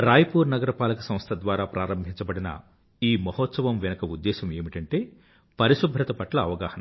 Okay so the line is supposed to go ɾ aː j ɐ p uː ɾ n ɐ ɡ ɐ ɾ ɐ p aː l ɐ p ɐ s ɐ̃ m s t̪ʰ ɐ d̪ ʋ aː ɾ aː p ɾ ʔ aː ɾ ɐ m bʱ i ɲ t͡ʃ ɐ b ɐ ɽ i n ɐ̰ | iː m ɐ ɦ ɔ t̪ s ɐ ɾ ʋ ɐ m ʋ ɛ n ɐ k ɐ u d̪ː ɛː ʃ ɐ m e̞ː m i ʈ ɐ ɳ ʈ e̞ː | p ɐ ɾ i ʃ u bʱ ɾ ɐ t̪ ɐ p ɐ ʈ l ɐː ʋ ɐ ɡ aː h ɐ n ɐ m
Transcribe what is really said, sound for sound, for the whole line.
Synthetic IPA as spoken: ɾ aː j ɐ p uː ɾ n ɐ ɡ ɐ ɾ ɐ p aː l ɐ k ɐ s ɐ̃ m s t̪ʰ ɐ d̪ ʋ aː ɾ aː p ɾ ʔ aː ɾ ɐ m bʱ i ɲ t͡ʃ ɐ b ɐ ɽ i n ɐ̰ | iː m ɐ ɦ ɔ t̪ s ɐ ʋ ɐ m ʋ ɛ n ɐ k ɐ u d̪ː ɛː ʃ ɐ m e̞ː m i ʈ ɐ ɳ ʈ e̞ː | p ɐ ɾ i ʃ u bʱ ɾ ɐ t̪ ɐ p ɐ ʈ l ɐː ʋ ɐ ɡ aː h ɐ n ɐ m